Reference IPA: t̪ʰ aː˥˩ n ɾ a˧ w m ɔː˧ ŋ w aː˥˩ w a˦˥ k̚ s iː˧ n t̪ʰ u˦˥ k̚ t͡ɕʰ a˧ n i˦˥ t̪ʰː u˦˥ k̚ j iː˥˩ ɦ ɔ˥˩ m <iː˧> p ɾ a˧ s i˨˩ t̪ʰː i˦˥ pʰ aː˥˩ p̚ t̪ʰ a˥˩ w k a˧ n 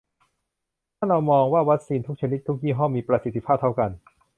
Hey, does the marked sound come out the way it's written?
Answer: yes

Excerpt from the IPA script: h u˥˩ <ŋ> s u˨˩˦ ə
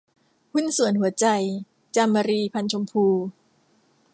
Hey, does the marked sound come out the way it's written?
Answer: no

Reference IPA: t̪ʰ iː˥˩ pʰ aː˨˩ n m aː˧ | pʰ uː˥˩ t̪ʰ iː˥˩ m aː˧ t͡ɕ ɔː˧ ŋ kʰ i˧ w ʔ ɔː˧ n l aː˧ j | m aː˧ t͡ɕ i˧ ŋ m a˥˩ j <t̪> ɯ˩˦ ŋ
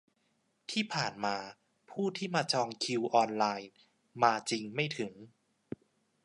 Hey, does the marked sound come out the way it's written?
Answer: no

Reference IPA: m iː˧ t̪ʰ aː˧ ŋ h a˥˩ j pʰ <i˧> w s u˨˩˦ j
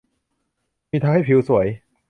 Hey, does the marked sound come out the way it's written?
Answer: yes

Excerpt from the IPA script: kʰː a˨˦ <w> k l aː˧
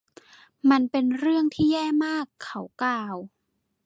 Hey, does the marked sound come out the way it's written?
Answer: yes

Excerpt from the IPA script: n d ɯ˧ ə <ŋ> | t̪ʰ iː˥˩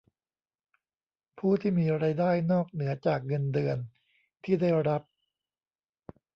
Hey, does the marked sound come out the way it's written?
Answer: no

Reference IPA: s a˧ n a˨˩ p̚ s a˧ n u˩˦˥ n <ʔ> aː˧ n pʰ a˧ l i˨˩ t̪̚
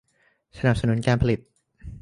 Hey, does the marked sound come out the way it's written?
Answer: no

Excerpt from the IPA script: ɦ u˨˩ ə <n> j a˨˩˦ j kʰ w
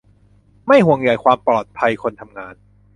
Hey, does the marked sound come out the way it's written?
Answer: no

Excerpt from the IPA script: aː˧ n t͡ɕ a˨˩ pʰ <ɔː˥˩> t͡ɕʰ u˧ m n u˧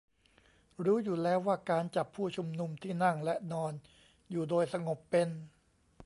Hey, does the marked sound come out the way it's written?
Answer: no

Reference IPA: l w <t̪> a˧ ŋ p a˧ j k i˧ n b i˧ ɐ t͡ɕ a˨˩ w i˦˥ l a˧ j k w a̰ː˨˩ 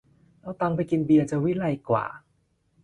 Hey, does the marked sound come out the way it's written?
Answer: yes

